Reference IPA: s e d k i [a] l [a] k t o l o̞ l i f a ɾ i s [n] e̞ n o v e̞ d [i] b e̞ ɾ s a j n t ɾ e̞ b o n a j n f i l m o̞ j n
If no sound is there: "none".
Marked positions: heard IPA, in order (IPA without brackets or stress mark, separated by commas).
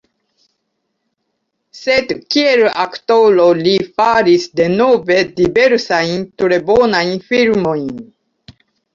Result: e, a, d, i